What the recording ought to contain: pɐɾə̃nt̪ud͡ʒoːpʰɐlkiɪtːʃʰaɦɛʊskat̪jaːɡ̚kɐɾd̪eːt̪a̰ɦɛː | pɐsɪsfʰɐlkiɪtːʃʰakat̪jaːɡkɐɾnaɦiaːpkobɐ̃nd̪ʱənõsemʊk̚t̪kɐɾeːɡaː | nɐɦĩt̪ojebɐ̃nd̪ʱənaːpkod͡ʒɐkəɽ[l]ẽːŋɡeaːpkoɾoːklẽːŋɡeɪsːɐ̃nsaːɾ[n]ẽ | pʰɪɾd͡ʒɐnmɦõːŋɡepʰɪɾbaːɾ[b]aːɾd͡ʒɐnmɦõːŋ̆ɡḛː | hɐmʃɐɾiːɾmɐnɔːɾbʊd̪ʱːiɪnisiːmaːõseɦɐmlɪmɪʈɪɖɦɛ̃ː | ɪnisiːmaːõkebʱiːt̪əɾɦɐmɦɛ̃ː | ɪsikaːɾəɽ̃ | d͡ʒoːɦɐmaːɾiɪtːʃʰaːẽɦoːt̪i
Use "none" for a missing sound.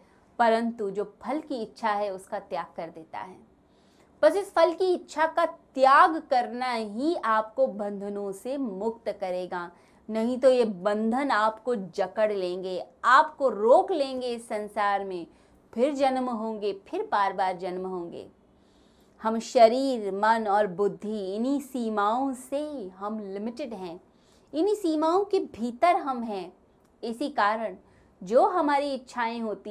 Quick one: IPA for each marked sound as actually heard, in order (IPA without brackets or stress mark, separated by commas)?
l, m, b